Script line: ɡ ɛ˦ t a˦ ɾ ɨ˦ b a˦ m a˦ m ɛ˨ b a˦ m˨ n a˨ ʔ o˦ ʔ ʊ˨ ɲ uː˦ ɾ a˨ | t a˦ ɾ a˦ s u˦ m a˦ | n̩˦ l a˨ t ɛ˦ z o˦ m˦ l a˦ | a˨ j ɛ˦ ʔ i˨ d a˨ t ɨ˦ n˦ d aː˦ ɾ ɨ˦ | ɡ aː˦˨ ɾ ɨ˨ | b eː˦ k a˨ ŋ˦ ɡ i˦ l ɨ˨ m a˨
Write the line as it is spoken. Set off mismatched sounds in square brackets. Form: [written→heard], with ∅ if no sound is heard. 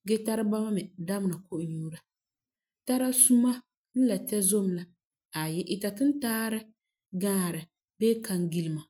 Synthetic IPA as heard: ɡ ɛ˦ t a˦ ɾ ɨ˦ b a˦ m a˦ m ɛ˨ [b→d] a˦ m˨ n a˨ [ʔ→k] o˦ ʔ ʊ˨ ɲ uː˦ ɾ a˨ | t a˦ ɾ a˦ s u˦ m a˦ | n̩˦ l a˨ t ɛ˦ z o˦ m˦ l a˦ | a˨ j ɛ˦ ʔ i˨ [d→t] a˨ t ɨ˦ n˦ [d→t] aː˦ ɾ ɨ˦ | ɡ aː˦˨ ɾ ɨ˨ | b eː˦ k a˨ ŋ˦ ɡ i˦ l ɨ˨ m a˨